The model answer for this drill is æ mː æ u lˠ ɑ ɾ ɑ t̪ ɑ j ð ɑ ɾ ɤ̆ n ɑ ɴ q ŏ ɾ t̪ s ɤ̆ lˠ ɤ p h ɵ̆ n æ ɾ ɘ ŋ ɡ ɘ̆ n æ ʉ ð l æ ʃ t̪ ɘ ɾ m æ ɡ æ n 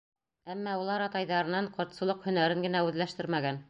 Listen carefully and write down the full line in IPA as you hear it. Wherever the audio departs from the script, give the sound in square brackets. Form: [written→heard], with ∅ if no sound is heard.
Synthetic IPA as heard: æ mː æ u lˠ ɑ ɾ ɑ t̪ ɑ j ð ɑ ɾ ɤ̆ n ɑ ɴ q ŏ ɾ t̪ s ɤ̆ lˠ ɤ [p→q] h ɵ̆ n æ ɾ ɘ ŋ ɡ ɘ̆ n æ ʉ ð l æ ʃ t̪ ɘ ɾ m æ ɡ æ n